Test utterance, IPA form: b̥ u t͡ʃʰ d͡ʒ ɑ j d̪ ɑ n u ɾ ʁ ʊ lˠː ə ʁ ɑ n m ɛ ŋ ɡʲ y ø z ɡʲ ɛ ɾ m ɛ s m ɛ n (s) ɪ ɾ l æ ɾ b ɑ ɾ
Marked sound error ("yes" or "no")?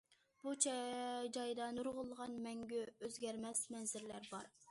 yes